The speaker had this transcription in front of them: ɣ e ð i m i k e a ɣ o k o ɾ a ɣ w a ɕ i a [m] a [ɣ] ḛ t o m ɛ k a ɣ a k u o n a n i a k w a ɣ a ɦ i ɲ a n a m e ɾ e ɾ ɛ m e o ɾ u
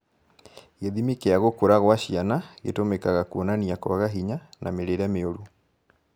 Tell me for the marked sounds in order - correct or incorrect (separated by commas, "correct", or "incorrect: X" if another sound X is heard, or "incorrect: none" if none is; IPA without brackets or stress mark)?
incorrect: n, correct